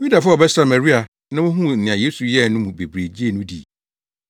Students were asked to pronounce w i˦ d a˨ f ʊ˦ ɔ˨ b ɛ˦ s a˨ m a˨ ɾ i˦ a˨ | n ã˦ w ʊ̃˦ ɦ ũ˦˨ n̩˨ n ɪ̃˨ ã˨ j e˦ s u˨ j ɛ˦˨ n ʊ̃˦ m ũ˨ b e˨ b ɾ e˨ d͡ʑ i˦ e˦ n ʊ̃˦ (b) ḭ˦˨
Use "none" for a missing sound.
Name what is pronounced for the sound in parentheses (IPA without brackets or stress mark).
d